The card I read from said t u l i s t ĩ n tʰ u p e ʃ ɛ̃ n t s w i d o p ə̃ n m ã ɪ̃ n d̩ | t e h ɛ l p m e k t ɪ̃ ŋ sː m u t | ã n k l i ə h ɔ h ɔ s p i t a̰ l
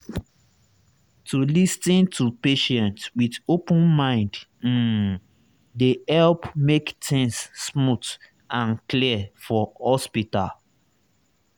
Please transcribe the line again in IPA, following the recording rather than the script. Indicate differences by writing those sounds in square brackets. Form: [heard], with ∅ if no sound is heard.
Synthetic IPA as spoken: t u l i s t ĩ n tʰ u p e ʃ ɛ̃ n t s w i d o p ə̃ n m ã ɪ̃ n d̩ | [d] e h ɛ l p m e k t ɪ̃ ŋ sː m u t | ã n k l i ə [f] ɔ h ɔ s p i t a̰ l